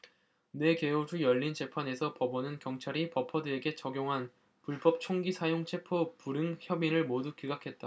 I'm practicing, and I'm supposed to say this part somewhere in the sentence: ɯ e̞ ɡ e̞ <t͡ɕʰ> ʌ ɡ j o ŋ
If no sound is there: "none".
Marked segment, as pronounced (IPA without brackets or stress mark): t͡ɕ